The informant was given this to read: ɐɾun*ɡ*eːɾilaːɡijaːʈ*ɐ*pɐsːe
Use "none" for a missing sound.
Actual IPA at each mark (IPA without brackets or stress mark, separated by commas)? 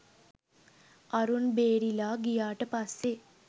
b, ə